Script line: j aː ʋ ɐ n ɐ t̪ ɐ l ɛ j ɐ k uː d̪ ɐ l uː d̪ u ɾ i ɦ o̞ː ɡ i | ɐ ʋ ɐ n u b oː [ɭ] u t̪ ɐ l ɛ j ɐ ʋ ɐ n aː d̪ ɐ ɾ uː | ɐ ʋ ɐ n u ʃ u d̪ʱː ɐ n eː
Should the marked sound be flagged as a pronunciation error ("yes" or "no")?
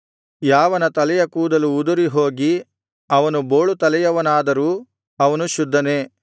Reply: no